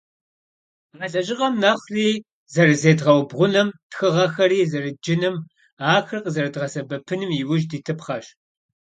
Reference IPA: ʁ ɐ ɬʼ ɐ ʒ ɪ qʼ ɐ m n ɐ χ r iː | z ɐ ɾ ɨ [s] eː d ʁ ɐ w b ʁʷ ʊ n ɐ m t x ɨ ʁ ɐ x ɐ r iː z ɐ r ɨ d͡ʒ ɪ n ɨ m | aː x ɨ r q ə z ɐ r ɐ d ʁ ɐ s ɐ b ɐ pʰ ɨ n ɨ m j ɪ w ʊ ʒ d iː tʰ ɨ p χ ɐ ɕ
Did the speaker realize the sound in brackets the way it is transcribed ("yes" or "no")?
no